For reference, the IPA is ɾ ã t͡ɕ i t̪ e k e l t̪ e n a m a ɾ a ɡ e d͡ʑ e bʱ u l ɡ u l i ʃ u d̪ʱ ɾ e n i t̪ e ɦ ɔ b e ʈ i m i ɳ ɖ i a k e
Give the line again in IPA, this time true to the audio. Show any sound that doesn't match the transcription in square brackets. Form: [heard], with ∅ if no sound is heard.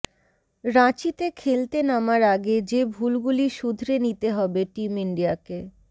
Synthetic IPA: ɾ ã t͡ɕ i t̪ e [kʰ] e l t̪ e n a m a ɾ a ɡ e d͡ʑ e bʱ u l ɡ u l i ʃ u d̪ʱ ɾ e n i t̪ e ɦ ɔ b e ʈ i m i ɳ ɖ i a k e